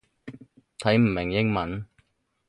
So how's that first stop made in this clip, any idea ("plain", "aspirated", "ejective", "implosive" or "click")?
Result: aspirated